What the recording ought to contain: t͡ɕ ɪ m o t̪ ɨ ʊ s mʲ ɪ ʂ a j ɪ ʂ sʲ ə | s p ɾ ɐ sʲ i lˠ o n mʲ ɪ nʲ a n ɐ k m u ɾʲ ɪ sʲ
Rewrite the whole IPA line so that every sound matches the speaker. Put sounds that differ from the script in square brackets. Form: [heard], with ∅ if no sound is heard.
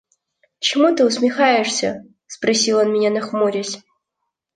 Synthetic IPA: t͡ɕ ɪ m [u] t̪ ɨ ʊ s mʲ ɪ [x] a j ɪ ʂ sʲ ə | s p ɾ ɐ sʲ i lˠ o n mʲ ɪ nʲ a n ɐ [x] m u ɾʲ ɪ sʲ